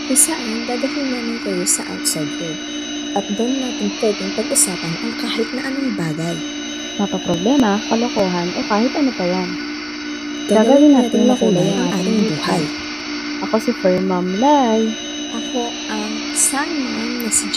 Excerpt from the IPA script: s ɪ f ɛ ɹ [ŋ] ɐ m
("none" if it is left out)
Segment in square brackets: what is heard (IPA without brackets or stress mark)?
m